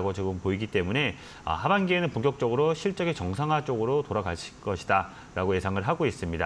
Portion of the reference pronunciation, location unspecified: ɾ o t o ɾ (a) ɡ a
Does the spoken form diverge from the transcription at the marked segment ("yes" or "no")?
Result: no